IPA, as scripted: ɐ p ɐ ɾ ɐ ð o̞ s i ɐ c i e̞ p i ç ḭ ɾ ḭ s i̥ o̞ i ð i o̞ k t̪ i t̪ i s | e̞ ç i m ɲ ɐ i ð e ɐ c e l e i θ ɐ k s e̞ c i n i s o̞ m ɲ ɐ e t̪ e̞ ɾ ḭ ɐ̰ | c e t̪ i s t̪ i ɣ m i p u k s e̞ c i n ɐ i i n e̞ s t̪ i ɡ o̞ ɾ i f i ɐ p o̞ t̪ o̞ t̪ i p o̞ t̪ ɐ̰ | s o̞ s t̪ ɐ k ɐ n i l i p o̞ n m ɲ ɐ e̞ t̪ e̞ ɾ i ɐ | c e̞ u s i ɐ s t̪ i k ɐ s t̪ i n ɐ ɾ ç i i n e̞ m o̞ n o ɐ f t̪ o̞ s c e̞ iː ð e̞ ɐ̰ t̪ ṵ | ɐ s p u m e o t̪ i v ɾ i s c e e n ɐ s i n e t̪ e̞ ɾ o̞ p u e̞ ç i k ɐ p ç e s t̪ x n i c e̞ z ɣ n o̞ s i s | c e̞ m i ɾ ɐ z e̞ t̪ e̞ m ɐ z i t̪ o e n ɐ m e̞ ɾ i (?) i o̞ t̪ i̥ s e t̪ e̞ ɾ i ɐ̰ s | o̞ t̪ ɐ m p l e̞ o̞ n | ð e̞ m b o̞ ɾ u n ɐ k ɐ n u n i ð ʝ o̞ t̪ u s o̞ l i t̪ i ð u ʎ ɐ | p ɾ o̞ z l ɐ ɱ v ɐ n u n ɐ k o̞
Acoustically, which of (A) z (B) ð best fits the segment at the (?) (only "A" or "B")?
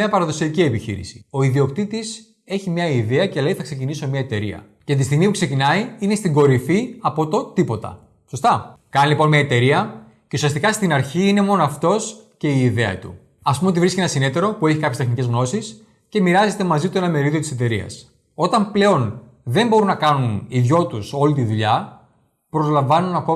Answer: B